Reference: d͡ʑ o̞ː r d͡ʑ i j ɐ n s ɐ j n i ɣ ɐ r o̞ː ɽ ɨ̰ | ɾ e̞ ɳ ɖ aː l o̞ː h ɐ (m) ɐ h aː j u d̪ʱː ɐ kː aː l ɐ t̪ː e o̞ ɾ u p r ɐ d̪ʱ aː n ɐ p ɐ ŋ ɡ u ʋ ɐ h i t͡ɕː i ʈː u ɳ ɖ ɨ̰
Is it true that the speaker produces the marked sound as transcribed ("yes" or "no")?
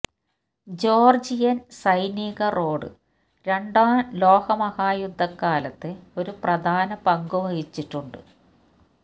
yes